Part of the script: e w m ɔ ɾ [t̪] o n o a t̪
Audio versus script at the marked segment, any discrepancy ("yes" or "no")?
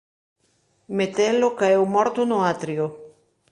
no